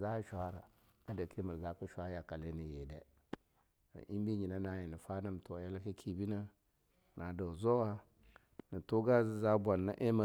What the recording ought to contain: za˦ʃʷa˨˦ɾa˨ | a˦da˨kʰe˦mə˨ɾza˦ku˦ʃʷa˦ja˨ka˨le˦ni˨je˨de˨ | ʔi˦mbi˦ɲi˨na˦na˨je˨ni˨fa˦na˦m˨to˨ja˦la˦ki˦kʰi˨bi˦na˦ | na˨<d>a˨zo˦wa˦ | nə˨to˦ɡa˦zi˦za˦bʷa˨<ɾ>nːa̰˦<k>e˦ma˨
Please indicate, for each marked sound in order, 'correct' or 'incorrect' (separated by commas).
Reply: correct, incorrect, incorrect